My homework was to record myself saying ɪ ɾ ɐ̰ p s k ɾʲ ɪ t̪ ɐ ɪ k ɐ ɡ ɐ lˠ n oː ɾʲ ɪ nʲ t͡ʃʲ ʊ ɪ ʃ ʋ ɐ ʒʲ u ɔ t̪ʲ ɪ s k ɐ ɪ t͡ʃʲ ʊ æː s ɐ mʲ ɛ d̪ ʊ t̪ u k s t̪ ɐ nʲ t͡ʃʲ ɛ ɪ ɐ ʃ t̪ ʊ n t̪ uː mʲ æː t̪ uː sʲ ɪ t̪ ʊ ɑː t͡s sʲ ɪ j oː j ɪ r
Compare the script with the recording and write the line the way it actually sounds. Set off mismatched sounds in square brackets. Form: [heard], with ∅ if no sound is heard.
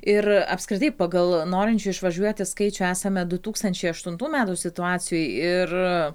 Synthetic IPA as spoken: ɪ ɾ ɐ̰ p s k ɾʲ ɪ t̪ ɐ ɪ [p] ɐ ɡ ɐ lˠ n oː ɾʲ ɪ nʲ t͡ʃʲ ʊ ɪ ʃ ʋ ɐ ʒʲ u ɔ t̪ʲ ɪ s k ɐ ɪ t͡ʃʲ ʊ æː s ɐ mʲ ɛ d̪ ʊ t̪ [uː] k s t̪ ɐ nʲ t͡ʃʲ ɛ ɪ ɐ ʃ t̪ ʊ n t̪ uː mʲ æː t̪ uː sʲ ɪ t̪ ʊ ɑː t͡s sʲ ɪ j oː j ɪ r